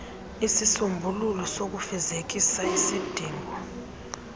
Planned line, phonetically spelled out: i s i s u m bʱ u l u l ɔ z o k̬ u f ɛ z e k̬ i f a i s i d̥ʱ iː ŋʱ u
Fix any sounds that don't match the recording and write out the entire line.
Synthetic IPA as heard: i s i s u m bʱ u l u l ɔ s o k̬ u f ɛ z e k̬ i s a i s i d̥ʱ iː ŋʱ ɔ

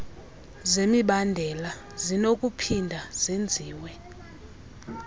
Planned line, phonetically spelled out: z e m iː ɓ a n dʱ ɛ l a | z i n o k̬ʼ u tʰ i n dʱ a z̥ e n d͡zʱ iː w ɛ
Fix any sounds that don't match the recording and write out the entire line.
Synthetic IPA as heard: z e m i ɓ a n dʱ ɛ l a | z i n o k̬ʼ u pʰ i n dʱ a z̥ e n d͡zʱ iː w ɛ

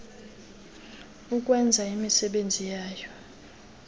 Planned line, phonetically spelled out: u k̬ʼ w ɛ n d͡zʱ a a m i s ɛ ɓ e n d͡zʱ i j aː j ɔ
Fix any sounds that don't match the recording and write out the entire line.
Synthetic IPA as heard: u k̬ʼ w ɛ n d͡zʱ a i m i s ɛ ɓ e n d͡zʱ i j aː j ɔ

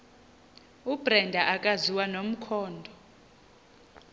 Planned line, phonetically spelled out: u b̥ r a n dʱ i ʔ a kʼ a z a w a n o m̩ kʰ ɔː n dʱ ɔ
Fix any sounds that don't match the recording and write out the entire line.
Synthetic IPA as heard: u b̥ r ɛ n dʱ a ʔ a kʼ a z i w a n o m̩ kʰ ɔː n dʱ ɔ

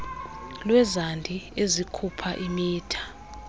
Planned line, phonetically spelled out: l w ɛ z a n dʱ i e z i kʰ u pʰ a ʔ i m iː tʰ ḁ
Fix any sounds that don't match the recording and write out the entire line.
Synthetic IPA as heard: l w ɛ z a n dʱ i e z i kʰ u pʰ a ʔ i m iː tʰ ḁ

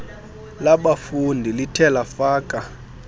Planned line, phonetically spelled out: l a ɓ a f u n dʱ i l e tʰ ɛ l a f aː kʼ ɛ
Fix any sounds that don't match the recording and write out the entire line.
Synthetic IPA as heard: l a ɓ a f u n dʱ i l i tʰ ɛ l a f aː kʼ a

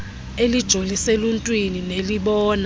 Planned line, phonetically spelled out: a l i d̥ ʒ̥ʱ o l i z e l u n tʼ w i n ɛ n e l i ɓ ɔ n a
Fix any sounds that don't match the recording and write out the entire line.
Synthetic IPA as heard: e l i d̥ ʒ̥ʱ o l i s e l u n tʼ w i n i n e l i ɓ ɔː n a

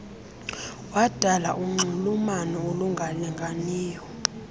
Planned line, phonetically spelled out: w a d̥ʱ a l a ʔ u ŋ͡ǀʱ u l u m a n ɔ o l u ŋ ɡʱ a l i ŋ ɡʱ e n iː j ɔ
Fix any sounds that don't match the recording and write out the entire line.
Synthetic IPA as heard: w a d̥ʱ a l a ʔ u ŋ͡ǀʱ u l u m a n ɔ o l u ŋ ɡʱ a l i ŋ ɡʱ a n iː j ɔ

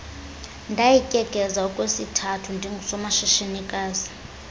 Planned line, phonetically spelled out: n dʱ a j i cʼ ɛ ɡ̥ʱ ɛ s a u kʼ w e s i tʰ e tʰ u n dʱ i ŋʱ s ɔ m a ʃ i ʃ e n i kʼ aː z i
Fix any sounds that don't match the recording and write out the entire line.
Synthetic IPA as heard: n dʱ a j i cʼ ɛ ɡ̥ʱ ɛ z a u kʼ w e s i tʰ a tʰ u n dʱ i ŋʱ s ɔ m a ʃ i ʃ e n i kʼ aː z i

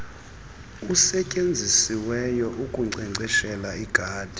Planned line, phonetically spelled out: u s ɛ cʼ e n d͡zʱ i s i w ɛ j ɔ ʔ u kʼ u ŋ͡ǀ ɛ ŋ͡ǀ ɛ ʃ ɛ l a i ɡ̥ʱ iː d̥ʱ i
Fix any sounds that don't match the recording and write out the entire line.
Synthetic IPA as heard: u s ɛ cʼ e n d͡zʱ i s i w ɛ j ɔ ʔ u kʼ u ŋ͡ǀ ɛ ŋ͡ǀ ɛ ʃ ɛ l a i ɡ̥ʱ aː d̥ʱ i

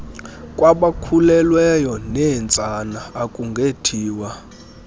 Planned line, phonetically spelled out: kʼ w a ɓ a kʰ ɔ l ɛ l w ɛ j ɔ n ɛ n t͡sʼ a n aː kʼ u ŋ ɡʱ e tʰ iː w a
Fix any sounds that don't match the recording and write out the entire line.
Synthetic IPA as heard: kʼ w a ɓ a kʰ u l ɛ l w ɛ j ɔ n ɛ n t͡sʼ a n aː kʼ u ŋ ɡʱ e tʰ iː w a

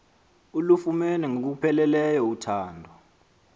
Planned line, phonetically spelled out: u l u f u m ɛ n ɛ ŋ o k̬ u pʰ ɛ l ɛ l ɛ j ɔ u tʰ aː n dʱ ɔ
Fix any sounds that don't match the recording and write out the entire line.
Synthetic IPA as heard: u l u f u m ɛ n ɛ ŋ o k̬ u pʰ ɛ l ɛ l ɛ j ɔ u tʰ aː n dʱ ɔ

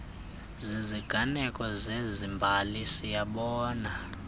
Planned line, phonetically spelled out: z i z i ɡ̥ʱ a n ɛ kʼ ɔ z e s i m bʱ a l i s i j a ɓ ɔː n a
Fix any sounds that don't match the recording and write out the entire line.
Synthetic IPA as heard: z i z i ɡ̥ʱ a n ɛ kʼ ɔ z e z i m bʱ a l i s i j a ɓ ɔː n a

